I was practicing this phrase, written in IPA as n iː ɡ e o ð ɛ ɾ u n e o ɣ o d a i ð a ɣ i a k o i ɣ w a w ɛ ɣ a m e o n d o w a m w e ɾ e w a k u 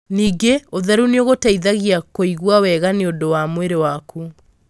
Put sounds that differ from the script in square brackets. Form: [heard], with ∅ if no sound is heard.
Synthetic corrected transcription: n iː ɡ e o ð ɛ ɾ u n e o ɣ o [t] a i ð a ɣ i a k o i ɣ w a w ɛ ɣ a [n] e o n d o w a m w e ɾ e w a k u